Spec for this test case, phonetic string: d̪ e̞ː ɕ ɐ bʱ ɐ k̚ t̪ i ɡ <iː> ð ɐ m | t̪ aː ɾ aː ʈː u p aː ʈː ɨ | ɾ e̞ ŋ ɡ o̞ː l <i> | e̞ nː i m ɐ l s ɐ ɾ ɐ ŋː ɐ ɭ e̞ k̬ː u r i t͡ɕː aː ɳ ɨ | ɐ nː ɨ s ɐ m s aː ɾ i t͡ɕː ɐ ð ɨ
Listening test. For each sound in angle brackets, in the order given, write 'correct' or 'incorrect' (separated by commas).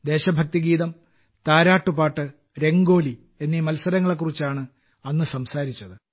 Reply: correct, correct